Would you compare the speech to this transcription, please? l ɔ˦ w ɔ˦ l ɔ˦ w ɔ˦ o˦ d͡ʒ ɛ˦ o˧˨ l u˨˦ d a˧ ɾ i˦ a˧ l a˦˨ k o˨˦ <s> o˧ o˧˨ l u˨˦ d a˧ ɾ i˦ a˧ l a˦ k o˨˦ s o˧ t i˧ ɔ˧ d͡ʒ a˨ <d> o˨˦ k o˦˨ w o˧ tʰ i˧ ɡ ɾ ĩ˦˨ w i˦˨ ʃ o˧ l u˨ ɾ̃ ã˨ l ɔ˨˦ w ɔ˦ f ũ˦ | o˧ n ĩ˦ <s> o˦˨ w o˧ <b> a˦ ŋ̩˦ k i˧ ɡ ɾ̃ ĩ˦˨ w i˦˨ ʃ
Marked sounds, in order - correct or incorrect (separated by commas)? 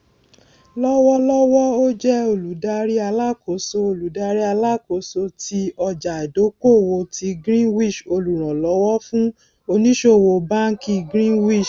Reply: correct, correct, incorrect, correct